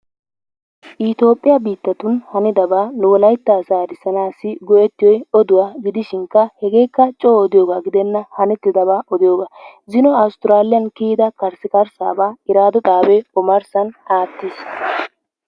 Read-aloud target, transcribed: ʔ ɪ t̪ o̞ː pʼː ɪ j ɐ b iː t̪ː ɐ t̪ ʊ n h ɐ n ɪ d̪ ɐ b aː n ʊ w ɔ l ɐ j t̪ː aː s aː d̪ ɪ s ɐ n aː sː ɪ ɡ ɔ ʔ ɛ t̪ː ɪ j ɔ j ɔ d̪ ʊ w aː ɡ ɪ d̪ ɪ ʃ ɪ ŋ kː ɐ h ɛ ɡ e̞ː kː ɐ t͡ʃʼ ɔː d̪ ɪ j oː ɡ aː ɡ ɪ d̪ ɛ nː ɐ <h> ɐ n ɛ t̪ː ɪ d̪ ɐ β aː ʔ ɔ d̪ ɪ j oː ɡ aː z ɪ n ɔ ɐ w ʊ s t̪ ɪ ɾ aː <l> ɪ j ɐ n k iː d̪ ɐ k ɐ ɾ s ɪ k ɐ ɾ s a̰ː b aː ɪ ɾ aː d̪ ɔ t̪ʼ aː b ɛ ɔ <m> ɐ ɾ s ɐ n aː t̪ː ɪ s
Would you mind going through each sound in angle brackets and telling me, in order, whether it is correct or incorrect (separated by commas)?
correct, correct, correct